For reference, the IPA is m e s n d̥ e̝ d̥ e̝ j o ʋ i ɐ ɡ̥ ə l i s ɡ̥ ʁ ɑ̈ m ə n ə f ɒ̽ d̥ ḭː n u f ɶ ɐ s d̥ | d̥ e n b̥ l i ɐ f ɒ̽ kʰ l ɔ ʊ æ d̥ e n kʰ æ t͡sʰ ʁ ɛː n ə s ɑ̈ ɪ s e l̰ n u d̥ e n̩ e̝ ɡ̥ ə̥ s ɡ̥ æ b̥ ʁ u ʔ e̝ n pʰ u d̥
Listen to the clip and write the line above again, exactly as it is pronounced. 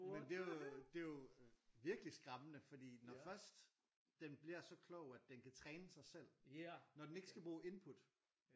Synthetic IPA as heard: m e n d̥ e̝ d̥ e̝ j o ʋ i ɐ ɡ̥ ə l i s ɡ̥ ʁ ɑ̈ m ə n ə f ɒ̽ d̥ ḭː n ɒ f ɶ ɐ s d̥ | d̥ e n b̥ l i ɐ s ɒ̽ kʰ l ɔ ʊ æ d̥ e n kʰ æ t͡sʰ ʁ ɛː n ə s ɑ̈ ɪ s e l̰ n ɒ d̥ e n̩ e̝ ɡ̥ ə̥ s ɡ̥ æ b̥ ʁ uː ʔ e̝ n pʰ u d̥